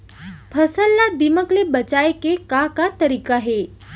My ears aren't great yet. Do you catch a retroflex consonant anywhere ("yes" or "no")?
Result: no